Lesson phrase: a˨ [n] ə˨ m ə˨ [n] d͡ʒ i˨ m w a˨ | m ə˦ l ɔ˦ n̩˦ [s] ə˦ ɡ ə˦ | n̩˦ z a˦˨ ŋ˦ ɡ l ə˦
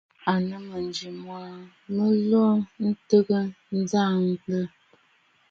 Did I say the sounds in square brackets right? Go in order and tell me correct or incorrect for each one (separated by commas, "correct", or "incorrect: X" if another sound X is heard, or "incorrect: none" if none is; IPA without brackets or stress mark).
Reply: correct, correct, incorrect: t